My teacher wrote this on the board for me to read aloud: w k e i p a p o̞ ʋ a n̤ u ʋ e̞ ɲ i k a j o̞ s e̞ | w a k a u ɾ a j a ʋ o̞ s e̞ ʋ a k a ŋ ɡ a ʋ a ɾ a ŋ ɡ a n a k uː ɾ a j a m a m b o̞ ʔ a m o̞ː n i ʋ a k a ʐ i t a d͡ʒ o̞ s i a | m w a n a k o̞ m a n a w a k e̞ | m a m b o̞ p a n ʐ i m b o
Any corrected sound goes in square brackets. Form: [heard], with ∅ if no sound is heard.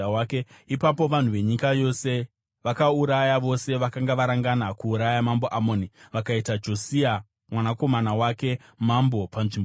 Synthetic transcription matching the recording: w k e i p a p o̞ ʋ a n̤ u ʋ e̞ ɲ i k a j o̞ s e̞ | [ʋ] a k a u ɾ a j a ʋ o̞ s e̞ ʋ a k a ŋ ɡ a ʋ a ɾ a ŋ ɡ a n a k uː ɾ a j a m a m b o̞ ʔ a m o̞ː n i ʋ a k a [∅] i t a d͡ʒ o̞ s i a | m w a n a k o̞ m a n a w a k e̞ | m a m b o̞ p a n ʐ i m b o